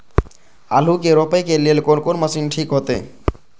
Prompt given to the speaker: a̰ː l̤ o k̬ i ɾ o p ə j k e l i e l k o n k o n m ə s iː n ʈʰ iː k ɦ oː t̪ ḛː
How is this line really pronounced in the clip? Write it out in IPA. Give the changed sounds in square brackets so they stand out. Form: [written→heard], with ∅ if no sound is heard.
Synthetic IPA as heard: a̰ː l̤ [o→u] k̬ [i→e] ɾ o p ə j k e l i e l k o n k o n m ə s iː n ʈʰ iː k ɦ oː t̪ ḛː